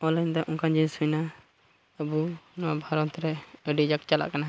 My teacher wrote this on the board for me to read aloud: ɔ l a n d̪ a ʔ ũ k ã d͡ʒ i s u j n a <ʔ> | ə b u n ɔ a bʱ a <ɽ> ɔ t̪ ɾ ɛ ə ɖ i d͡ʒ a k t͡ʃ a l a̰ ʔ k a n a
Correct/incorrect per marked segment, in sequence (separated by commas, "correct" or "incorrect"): incorrect, incorrect